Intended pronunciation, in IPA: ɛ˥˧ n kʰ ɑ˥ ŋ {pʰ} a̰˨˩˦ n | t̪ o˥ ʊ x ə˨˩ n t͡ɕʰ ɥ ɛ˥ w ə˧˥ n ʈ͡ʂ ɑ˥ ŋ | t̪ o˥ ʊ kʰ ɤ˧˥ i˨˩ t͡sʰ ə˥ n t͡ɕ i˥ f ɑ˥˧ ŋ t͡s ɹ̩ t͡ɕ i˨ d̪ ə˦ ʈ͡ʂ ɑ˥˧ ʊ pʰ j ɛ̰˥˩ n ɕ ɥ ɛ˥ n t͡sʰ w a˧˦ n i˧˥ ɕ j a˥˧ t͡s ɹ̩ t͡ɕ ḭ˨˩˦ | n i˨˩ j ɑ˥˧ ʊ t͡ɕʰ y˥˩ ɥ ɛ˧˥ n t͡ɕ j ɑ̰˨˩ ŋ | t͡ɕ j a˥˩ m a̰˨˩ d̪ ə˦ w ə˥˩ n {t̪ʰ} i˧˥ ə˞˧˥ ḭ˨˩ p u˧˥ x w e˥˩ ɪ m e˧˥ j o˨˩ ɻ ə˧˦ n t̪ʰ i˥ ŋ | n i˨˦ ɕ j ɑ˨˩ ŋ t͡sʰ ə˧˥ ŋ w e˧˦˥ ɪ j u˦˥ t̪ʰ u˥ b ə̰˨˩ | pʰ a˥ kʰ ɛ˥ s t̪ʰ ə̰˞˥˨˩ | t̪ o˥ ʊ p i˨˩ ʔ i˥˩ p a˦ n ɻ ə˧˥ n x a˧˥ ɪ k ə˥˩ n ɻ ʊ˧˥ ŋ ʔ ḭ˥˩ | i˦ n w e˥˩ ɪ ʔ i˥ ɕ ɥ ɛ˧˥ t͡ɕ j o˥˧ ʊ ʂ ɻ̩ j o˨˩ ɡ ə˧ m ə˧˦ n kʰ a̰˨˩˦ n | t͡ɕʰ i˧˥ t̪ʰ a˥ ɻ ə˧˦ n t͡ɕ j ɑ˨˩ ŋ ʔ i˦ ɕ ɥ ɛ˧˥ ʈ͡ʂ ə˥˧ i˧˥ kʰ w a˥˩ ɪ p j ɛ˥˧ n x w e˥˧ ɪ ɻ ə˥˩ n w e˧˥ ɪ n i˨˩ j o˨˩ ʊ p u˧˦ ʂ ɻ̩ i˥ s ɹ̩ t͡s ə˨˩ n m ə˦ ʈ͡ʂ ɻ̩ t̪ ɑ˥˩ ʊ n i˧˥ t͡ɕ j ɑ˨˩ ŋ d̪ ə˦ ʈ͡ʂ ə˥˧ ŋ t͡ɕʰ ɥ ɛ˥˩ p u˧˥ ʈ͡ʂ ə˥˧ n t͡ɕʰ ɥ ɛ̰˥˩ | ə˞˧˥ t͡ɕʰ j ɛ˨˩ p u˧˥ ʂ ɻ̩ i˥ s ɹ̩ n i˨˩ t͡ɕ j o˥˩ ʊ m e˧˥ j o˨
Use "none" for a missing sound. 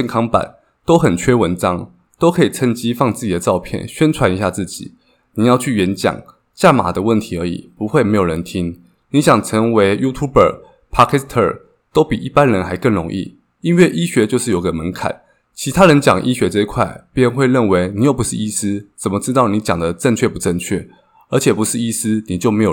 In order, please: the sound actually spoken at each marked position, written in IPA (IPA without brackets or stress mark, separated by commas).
p, t̪ʰ